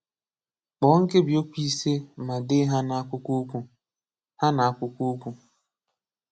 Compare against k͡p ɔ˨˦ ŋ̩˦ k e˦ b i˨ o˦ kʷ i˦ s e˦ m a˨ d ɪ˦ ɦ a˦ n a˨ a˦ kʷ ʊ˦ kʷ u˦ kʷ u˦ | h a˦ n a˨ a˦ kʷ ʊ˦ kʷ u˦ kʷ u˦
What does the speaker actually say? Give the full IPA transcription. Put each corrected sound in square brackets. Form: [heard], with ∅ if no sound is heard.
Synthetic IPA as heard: k͡p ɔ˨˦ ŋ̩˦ k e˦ b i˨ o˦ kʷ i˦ s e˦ m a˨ d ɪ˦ ɦ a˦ n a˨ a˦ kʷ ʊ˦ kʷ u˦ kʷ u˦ | h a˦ n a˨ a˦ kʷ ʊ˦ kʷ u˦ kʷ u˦